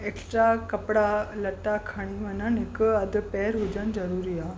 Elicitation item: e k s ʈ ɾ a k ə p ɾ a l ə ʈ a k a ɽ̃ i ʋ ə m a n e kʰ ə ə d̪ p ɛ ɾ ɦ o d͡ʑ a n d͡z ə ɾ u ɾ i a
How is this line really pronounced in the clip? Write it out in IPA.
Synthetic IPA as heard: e k s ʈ ɾ a k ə p ɽ a l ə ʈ a kʰ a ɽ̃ i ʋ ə n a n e k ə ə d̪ p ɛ ɾ ɦ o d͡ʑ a n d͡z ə ɾ u ɾ i a